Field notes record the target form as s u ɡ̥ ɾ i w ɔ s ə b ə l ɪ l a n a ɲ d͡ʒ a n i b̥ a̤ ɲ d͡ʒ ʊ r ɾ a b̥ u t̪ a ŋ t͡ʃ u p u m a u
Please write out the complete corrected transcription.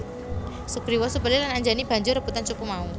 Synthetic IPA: s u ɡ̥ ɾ i w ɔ s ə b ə l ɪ l a n a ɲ d͡ʒ a n i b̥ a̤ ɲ d͡ʒ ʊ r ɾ ə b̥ u t̪ a n t͡ʃ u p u m a u